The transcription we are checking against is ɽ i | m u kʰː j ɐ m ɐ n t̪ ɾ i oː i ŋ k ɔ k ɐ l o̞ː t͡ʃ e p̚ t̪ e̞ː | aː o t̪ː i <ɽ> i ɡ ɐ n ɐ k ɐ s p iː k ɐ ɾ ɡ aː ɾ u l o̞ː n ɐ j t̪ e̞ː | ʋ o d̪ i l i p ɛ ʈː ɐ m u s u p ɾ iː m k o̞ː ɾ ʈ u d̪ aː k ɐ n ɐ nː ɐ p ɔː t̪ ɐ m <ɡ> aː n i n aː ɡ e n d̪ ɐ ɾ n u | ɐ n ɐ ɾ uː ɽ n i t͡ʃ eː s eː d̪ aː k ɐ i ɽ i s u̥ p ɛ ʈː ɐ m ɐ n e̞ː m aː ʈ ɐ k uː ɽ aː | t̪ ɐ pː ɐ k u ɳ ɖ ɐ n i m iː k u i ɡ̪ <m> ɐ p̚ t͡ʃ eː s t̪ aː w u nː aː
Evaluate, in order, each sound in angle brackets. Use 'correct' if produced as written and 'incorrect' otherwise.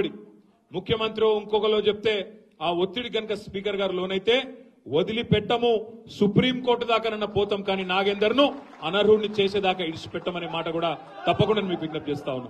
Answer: correct, incorrect: k, incorrect: n

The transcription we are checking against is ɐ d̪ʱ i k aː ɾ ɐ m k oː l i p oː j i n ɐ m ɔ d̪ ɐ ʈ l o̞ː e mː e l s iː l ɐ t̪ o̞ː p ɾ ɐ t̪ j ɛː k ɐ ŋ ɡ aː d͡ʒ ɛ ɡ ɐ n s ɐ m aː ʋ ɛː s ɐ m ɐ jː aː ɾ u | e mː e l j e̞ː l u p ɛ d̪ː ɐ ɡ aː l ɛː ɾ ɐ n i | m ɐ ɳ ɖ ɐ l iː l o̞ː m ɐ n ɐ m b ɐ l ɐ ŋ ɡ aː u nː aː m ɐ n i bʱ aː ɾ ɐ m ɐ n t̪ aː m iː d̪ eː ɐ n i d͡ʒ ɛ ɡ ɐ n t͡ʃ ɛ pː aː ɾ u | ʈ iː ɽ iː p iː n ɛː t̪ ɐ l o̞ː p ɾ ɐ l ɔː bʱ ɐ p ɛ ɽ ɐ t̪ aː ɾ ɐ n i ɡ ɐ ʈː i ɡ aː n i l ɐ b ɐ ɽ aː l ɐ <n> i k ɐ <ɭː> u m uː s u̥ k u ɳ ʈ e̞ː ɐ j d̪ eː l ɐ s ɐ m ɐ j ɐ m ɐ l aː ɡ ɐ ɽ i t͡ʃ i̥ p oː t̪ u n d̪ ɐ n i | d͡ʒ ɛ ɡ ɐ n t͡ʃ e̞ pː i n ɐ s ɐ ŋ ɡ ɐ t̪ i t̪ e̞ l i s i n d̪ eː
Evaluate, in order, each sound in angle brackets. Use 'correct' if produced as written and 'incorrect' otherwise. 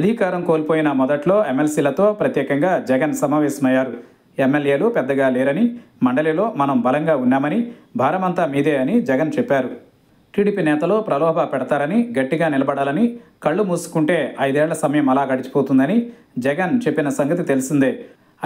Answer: correct, correct

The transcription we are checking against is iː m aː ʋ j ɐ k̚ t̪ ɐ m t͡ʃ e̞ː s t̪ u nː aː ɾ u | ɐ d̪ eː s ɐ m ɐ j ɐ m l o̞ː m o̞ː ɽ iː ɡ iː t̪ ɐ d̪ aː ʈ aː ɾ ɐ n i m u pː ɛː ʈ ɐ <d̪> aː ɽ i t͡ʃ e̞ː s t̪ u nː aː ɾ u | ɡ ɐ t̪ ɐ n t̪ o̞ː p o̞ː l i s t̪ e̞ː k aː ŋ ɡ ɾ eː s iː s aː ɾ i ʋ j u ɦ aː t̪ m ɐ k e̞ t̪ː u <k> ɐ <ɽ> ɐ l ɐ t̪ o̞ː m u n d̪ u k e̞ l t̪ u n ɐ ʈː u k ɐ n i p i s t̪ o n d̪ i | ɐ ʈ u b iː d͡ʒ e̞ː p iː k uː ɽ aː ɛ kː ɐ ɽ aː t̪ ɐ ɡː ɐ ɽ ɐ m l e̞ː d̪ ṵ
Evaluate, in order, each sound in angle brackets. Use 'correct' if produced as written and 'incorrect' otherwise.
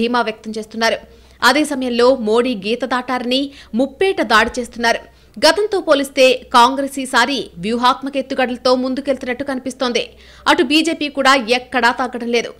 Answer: correct, incorrect: ɡ, correct

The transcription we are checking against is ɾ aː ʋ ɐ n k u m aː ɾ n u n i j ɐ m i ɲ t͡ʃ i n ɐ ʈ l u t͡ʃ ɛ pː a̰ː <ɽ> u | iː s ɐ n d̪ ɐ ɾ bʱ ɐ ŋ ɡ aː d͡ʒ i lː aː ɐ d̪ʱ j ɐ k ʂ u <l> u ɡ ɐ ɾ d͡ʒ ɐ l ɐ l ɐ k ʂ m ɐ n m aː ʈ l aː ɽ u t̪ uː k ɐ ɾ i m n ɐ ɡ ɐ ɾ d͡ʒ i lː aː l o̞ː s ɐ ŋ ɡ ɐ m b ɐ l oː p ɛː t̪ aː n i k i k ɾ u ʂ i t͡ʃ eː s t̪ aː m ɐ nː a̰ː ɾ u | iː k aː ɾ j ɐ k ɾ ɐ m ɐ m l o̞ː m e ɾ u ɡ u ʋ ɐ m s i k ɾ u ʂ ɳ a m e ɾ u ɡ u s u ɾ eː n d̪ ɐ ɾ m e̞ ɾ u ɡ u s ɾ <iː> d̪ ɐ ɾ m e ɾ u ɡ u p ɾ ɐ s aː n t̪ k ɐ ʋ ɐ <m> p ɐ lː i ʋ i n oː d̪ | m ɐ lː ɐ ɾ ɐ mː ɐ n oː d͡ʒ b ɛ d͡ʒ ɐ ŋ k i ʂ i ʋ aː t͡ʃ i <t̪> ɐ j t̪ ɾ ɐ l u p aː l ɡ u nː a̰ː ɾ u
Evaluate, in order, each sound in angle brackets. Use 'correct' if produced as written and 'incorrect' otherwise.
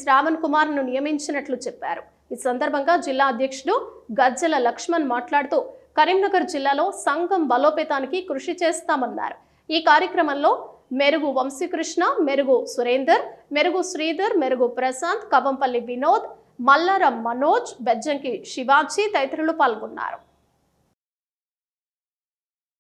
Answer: incorrect: ɾ, incorrect: ɽ, correct, correct, correct

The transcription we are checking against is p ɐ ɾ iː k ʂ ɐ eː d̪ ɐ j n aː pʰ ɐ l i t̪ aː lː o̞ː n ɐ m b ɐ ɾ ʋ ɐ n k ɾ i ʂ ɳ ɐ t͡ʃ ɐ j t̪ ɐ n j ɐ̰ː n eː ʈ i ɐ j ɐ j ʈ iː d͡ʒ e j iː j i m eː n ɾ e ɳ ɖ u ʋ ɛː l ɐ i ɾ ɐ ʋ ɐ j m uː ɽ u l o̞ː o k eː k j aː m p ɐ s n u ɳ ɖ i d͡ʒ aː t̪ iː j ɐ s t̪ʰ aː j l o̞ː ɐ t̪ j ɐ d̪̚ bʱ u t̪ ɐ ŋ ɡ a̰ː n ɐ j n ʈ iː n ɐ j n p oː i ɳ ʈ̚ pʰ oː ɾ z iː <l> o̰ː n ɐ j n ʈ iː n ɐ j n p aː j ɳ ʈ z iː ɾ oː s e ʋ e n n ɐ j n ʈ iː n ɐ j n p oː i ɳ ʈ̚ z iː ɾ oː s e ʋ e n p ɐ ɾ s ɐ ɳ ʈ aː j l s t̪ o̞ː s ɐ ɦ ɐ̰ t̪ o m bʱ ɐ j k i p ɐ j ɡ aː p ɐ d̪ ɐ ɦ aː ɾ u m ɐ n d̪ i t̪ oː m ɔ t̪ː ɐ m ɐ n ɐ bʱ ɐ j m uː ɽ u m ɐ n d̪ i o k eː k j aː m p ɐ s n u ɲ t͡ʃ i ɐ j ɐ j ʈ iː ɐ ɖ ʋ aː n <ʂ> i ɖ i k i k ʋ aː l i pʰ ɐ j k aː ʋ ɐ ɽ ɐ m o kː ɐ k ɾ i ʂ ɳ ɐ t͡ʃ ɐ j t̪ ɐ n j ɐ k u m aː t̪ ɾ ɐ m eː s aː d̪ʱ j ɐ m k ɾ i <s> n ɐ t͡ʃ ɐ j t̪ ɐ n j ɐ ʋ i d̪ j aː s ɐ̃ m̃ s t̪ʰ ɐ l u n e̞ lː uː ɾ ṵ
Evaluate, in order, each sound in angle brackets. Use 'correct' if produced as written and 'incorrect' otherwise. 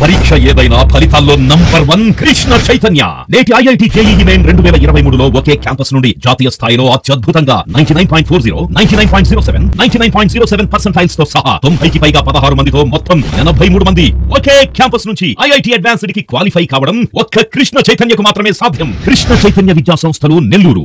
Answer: incorrect: ɾ, incorrect: s, incorrect: ʂ

